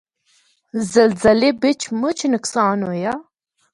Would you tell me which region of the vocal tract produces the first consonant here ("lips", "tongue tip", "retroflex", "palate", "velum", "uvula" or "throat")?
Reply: tongue tip